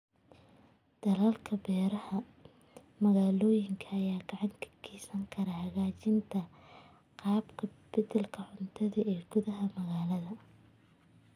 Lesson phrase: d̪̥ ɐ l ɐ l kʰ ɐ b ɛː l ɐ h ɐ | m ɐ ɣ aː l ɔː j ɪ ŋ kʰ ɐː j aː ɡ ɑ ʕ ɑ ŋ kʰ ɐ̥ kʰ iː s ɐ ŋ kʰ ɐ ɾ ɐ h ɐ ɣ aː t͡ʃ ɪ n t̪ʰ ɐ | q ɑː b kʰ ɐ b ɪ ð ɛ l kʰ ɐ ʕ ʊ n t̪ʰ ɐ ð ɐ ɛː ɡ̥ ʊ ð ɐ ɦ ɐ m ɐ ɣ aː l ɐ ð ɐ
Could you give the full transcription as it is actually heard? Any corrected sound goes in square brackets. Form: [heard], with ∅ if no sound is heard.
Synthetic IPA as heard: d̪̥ ɐ l ɐ l kʰ ɐ b ɛː [ɾ] ɐ h ɐ | m ɐ ɣ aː l ɔː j ɪ ŋ kʰ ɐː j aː ɡ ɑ ʕ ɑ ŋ kʰ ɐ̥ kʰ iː s ɐ ŋ kʰ ɐ ɾ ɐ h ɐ ɣ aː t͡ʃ ɪ n t̪ʰ ɐ | q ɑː b kʰ ɐ b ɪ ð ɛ l kʰ ɐ ʕ ʊ n t̪ʰ ɐ ð ɐ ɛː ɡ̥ ʊ ð ɐ ɦ ɐ m ɐ ɣ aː l ɐ ð ɐ